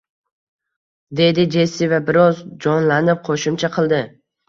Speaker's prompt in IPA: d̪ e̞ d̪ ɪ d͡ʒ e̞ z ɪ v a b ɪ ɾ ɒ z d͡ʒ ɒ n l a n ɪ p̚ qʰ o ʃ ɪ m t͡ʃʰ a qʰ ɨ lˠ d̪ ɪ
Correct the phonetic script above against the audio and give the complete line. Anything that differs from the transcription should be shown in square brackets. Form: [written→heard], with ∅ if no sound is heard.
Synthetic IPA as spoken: d̪ e̞ d̪ ɪ d͡ʒ e̞ [z→s] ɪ v a b ɪ ɾ ɒ z d͡ʒ ɒ n l a n ɪ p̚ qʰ o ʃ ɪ m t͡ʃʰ a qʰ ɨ lˠ d̪ ɪ